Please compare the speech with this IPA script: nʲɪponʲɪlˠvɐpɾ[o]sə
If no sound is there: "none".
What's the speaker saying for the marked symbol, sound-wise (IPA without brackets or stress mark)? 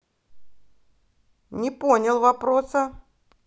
o